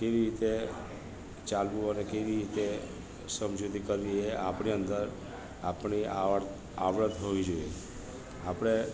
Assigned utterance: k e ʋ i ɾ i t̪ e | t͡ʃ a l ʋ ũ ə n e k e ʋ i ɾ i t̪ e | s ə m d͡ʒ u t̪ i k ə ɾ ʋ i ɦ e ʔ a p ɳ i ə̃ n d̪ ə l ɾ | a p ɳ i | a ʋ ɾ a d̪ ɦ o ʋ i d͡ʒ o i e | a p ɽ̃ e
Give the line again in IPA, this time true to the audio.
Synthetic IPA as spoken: k e ʋ i ɾ i t̪ e | t͡ʃ a l ʋ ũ ə n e k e ʋ i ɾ i t̪ e | s ə m d͡ʒ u t̪ i k ə ɾ ʋ i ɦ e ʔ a p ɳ i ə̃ n d̪ ə ɾ | a p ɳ i | a ʋ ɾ ə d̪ ɦ o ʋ i d͡ʒ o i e | a p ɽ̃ e